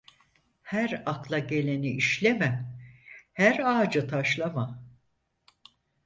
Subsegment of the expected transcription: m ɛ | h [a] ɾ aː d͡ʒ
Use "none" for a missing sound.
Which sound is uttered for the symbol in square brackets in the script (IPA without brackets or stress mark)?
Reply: æ